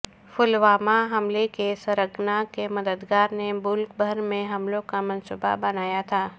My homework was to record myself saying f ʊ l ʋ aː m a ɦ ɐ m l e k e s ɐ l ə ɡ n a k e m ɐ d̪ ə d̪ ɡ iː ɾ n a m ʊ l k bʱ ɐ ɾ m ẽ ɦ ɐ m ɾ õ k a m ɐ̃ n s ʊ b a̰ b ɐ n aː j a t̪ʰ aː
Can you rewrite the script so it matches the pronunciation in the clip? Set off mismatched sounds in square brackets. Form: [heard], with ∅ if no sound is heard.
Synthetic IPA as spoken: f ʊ l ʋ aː m a ɦ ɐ m l e k e s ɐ [ɾ] ə ɡ n a k e m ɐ d̪ ə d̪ ɡ [aː] ɾ n [e] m ʊ l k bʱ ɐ ɾ m ẽ ɦ ɐ m [l] õ k a m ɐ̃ n s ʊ b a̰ b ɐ n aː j a t̪ʰ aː